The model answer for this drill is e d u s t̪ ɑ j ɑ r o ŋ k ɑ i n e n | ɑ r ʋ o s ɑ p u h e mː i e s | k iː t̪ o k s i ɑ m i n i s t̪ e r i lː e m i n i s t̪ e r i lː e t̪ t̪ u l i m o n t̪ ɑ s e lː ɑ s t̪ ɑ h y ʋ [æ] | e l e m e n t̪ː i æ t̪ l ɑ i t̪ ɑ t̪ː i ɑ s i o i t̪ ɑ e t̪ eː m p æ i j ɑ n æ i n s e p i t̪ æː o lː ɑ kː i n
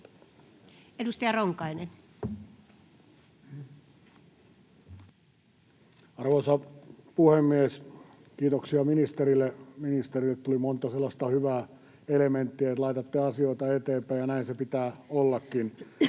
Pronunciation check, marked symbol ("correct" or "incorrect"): incorrect